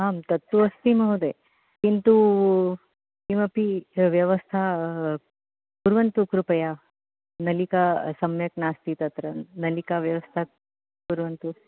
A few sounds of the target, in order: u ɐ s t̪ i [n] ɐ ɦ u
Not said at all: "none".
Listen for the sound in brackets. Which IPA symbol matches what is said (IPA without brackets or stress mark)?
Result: m